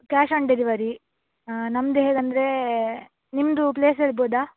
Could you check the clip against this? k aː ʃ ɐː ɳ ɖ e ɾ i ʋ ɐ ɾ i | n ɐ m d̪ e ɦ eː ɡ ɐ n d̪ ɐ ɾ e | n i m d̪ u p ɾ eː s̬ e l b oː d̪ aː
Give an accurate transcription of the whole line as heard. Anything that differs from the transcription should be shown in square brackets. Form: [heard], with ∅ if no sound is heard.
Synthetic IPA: k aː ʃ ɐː ɳ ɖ e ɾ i ʋ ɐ ɾ i | n ɐ m d̪ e ɦ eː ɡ ɐ n d̪ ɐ ɾ e | n i m d̪ u p [l] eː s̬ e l b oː d̪ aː